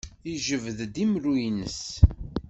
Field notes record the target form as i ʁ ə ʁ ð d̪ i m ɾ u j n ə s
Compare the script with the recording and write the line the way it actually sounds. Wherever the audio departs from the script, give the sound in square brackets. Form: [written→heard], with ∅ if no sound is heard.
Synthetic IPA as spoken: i [ʁ→ʒ] ə [ʁ→v] ð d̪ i m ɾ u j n ə s